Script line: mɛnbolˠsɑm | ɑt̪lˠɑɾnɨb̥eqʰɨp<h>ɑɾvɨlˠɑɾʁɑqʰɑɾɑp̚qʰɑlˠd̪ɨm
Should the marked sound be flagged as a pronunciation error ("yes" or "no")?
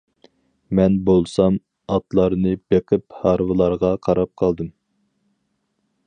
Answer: no